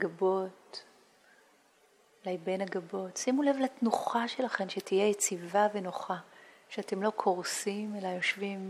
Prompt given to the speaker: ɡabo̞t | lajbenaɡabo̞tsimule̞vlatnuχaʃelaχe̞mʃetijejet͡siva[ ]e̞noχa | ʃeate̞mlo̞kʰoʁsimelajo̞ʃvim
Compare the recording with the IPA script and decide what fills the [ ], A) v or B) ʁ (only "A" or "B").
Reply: A